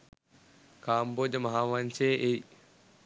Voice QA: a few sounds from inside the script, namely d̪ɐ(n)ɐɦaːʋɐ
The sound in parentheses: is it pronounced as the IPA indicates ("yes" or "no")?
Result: no